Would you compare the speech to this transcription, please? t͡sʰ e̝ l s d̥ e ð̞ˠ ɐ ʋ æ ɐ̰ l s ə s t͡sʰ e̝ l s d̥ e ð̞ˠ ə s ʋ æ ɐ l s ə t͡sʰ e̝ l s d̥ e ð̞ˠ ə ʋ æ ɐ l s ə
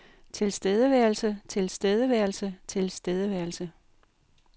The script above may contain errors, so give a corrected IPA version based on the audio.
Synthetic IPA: t͡sʰ e̝ l s d̥ e ð̞ˠ ə ʋ æ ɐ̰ l s ə t͡sʰ e̝ l s d̥ e ð̞ˠ ə ʋ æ ɐ l s ə t͡sʰ e̝ l s d̥ e ð̞ˠ ə ʋ æ ɐ l s ə

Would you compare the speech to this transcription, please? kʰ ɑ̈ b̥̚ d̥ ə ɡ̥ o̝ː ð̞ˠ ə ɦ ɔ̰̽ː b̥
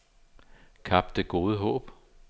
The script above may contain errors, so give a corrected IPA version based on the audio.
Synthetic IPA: kʰ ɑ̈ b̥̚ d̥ ə ɡ̥ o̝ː ð̞ˠ ə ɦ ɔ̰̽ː b̥

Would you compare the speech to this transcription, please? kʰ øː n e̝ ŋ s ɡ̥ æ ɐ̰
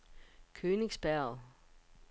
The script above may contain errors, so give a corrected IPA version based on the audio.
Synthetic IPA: kʰ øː n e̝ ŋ s b̥ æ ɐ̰

